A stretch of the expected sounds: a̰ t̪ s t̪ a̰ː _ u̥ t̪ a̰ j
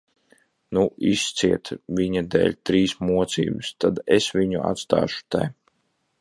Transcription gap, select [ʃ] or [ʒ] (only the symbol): ʃ